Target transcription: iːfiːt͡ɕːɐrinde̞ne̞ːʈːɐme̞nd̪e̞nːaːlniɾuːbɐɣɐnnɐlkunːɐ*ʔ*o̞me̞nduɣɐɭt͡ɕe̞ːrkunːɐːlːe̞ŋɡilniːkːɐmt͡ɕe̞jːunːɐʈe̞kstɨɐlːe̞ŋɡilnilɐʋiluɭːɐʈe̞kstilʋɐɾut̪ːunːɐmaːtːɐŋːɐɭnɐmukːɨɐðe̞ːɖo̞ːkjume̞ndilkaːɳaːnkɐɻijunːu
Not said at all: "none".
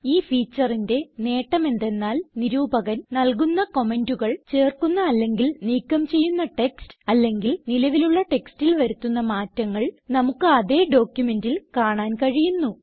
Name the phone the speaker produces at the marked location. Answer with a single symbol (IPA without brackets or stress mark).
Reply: k